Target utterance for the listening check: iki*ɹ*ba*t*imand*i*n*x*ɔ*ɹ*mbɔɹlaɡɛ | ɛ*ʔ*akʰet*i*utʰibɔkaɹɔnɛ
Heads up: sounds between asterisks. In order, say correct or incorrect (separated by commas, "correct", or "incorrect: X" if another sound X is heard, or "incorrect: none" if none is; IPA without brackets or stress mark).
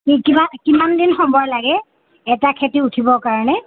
incorrect: none, incorrect: k, correct, correct, incorrect: none, incorrect: t, correct